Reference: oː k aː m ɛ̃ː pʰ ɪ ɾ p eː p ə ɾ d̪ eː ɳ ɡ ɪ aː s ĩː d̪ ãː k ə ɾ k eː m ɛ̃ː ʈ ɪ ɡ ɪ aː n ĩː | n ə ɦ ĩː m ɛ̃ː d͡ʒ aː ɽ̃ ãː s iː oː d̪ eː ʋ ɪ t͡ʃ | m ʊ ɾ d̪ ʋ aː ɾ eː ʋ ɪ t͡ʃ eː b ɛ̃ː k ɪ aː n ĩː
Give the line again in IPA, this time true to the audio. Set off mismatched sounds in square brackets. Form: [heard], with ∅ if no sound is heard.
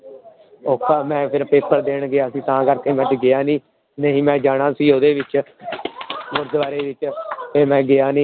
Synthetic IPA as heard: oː k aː m ɛ̃ː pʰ ɪ ɾ p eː p ə ɾ d̪ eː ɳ ɡ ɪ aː s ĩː [t̪] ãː k ə ɾ k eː m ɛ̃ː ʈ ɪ ɡ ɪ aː n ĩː | n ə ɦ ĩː m ɛ̃ː d͡ʒ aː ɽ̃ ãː s iː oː d̪ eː ʋ ɪ t͡ʃ | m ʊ ɾ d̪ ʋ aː ɾ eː ʋ ɪ t͡ʃ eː [m] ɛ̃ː [ɡ] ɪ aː n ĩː